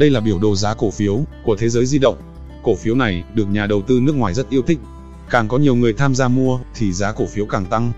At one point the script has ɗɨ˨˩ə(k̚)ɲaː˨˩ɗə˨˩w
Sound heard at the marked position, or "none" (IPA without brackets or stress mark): k̚